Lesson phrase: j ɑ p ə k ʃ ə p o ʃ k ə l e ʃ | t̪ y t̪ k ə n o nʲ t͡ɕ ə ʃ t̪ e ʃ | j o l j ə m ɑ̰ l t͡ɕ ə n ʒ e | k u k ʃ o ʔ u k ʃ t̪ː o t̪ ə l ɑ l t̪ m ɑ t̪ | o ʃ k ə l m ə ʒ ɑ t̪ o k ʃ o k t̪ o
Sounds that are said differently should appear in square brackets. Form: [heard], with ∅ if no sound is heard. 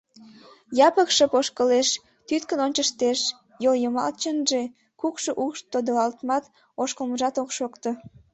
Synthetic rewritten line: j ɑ p ə k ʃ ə p o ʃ k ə l e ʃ | t̪ y t̪ k ə n o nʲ t͡ɕ ə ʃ t̪ e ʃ | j o l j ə m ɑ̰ l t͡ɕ ə n ʒ e | k u k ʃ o ʔ u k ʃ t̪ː o [d̪] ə l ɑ l t̪ m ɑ t̪ | o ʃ k ə l m ə ʒ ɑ t̪ o k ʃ o k t̪ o